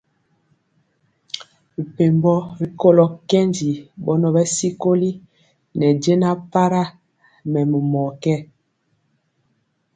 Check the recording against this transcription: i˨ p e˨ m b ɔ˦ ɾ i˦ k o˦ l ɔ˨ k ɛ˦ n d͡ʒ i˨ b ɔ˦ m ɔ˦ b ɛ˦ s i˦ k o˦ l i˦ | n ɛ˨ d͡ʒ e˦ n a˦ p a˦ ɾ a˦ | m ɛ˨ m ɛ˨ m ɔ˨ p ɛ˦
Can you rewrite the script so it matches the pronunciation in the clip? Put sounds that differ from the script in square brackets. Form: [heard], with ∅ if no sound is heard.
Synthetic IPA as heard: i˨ p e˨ m b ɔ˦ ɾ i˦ k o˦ l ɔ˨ k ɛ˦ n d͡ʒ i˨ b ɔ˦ [n] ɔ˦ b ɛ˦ s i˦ k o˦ l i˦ | n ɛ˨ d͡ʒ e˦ n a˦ p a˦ ɾ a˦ | m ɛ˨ m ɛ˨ m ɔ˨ [k] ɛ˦